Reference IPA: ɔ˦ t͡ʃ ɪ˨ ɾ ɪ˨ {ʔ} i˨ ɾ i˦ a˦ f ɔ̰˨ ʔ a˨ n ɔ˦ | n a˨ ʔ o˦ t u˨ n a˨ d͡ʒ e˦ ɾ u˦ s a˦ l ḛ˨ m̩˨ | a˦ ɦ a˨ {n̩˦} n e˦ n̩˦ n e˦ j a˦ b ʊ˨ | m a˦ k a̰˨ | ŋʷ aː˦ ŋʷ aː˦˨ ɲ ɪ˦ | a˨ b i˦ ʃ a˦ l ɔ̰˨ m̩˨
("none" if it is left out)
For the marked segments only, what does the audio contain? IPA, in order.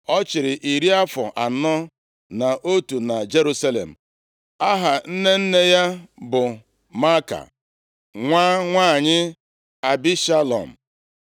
ʔ, n̩˦

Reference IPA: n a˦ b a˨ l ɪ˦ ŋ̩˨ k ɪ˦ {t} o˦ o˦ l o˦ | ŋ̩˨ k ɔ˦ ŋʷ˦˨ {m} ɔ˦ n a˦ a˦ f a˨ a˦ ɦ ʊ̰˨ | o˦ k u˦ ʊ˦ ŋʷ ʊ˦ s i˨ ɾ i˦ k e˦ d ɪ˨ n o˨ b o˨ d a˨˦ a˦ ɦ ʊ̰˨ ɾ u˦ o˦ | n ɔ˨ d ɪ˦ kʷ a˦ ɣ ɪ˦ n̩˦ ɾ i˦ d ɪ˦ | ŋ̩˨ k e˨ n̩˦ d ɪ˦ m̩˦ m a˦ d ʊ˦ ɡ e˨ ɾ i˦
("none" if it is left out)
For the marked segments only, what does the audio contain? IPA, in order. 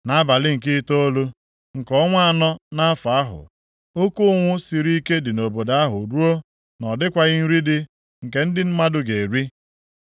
t, n

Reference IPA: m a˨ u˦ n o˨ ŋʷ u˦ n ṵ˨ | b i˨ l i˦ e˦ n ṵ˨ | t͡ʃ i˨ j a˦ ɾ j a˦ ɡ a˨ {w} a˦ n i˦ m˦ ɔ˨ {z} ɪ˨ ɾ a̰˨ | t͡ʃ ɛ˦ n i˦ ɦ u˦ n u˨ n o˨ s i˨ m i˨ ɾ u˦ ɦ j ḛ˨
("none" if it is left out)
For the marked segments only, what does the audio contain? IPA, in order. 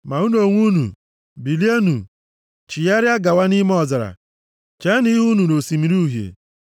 w, z

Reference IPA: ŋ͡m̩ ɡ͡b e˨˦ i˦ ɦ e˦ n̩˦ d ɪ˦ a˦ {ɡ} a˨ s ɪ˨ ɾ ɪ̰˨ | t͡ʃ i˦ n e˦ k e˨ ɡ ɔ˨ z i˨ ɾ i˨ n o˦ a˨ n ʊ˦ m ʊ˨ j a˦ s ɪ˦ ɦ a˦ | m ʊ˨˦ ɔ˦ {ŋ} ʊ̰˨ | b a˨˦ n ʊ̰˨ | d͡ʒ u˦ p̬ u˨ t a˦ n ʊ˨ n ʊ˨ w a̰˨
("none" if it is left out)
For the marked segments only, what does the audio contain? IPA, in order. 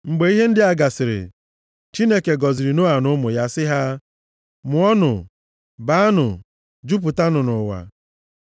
ɡ, n

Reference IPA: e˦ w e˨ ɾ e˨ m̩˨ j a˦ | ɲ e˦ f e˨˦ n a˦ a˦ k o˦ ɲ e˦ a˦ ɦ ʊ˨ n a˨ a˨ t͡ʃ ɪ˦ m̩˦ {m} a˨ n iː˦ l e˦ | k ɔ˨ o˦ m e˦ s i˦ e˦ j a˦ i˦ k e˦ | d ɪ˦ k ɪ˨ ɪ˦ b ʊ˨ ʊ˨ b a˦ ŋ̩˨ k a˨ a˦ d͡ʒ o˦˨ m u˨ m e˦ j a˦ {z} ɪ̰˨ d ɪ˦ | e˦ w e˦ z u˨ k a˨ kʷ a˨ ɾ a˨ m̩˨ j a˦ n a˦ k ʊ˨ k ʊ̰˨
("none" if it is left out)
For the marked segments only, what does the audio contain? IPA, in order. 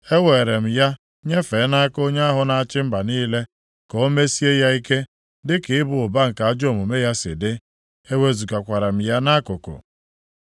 b, s

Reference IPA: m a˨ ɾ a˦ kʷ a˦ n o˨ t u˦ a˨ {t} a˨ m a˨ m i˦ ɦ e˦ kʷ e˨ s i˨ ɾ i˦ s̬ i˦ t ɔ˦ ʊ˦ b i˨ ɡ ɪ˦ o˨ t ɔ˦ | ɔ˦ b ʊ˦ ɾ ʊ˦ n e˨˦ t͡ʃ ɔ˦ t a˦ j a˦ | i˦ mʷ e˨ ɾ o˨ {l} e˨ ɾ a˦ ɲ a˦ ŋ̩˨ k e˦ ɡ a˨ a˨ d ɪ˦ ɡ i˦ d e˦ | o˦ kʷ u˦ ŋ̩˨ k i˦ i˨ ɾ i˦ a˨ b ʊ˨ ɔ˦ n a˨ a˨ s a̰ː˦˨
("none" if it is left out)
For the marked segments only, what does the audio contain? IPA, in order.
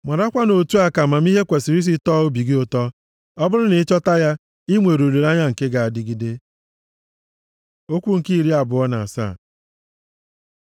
k, l

